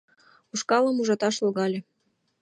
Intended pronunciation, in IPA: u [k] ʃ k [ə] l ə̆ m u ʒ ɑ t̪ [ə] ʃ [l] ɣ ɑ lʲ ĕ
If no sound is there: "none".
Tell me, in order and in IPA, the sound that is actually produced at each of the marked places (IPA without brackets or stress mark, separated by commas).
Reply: none, ɑ, ɑ, l